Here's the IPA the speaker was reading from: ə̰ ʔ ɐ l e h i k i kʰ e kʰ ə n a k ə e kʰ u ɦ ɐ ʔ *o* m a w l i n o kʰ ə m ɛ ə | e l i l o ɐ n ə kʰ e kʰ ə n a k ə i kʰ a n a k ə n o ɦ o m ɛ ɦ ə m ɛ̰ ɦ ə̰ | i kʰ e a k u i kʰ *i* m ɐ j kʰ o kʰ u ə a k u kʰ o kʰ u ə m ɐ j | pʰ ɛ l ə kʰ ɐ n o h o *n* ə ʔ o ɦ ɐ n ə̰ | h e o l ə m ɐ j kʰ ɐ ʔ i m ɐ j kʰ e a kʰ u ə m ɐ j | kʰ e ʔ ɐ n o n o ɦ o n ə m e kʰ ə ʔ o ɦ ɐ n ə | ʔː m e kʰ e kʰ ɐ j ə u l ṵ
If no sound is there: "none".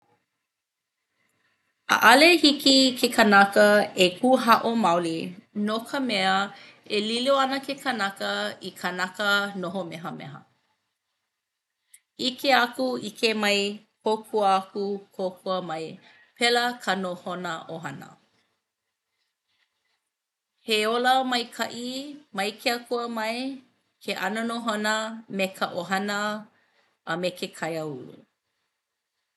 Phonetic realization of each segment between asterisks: o, e, n

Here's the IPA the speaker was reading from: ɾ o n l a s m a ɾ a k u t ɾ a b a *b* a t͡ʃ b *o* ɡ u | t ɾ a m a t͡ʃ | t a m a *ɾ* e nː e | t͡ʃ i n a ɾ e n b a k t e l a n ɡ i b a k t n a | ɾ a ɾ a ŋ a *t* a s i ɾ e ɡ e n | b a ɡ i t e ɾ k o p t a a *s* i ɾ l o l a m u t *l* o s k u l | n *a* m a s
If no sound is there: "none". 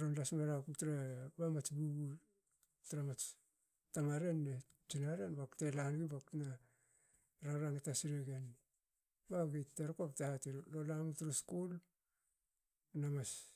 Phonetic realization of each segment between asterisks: m, u, ɾ, t, t, ɾ, a

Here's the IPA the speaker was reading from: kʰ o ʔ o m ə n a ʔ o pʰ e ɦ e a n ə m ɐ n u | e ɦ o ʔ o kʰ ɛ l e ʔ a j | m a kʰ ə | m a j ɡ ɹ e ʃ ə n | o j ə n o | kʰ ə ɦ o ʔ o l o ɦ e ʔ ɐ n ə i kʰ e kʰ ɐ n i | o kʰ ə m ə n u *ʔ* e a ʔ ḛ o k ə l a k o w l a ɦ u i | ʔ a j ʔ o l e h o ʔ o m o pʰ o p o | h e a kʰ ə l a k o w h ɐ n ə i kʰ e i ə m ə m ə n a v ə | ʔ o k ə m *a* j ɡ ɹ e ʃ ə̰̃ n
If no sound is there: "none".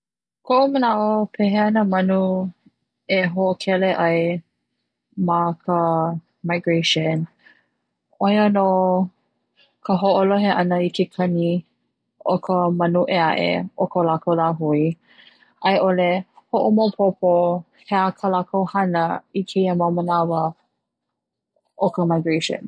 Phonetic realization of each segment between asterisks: ʔ, a

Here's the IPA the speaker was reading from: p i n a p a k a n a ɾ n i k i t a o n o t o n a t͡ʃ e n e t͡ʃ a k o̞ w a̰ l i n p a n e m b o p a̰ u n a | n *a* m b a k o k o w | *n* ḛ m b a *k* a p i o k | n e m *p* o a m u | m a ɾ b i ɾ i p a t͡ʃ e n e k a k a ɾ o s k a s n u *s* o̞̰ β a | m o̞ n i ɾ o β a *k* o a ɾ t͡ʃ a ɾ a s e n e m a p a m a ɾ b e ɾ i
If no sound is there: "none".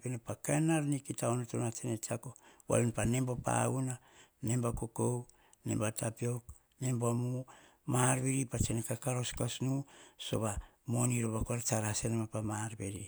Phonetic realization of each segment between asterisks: e, n, t, b, s, k

